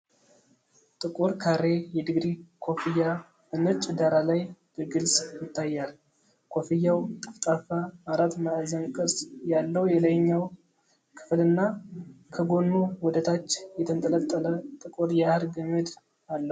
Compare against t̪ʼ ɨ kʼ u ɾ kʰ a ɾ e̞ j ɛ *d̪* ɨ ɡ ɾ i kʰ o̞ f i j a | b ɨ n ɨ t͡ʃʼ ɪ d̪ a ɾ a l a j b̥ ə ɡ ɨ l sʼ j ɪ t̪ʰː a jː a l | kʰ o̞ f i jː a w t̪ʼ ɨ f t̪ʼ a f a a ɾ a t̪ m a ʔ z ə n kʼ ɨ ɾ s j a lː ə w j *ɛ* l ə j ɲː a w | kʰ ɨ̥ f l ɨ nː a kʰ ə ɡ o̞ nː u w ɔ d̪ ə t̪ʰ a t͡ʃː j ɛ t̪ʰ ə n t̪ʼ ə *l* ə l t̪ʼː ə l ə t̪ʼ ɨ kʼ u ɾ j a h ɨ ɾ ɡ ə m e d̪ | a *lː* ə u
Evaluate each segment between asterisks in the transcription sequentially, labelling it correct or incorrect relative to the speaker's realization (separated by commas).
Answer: correct, correct, correct, correct